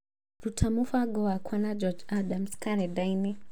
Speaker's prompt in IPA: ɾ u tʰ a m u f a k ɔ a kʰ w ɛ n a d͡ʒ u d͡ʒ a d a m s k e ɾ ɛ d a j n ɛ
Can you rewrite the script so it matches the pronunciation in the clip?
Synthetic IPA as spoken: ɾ u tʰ a m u f a ɡ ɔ a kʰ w a n a d͡ʒ ɔ d͡ʒ a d a m s k a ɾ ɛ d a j n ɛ